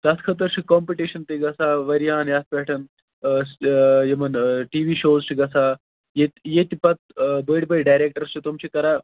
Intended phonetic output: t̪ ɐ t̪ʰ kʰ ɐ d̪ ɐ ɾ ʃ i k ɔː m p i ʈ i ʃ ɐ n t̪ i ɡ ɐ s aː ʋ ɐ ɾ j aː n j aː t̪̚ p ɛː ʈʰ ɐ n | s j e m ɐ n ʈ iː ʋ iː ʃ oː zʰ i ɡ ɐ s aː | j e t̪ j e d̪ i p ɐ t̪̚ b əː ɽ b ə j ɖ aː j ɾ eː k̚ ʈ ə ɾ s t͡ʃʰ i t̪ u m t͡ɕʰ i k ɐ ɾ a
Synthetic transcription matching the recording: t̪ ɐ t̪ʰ kʰ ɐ t̪ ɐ ɾ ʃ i k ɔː m p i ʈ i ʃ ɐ n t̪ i ɡ ɐ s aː ʋ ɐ ɾ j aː n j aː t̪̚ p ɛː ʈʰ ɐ n | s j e m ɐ n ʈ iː ʋ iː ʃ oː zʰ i ɡ ɐ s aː | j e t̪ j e t̪ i p ɐ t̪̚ b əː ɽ b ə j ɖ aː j ɾ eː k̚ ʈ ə ɾ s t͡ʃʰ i t̪ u m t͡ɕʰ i k ɐ ɾ a